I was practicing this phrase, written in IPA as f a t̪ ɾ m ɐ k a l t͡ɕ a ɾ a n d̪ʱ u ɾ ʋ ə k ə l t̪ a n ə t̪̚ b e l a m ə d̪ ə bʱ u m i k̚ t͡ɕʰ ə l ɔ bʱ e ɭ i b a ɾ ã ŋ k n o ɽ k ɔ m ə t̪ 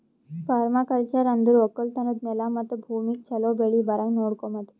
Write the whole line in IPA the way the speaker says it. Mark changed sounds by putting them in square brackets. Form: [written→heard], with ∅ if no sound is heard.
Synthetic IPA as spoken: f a [t̪→∅] ɾ m [ɐ→a] k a l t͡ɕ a ɾ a n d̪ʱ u ɾ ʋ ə k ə l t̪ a n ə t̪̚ [b→m] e l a m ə [d̪→t̪] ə bʱ u m i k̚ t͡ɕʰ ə l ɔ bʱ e ɭ i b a ɾ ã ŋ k n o ɽ k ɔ m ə t̪